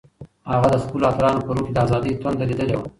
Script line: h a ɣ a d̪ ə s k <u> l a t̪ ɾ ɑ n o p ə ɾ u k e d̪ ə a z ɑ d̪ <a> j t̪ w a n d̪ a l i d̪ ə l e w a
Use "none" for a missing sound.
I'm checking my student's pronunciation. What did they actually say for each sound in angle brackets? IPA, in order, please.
u, ə

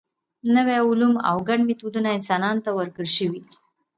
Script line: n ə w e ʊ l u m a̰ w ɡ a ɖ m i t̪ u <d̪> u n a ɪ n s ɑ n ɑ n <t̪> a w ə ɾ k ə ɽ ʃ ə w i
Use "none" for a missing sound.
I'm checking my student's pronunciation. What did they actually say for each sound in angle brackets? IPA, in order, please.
d̪, t̪

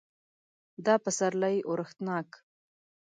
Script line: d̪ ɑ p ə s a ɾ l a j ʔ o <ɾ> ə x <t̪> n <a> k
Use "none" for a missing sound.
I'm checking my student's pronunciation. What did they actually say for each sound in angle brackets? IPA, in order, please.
ɾ, t̪, ɑ

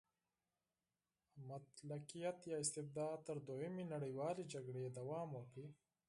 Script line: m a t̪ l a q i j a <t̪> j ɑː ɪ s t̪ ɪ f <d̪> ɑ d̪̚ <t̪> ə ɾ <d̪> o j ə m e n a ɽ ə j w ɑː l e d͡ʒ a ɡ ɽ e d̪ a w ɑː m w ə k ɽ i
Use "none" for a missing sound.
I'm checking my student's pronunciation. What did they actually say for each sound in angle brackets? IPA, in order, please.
t̪, d̪, t̪, d̪

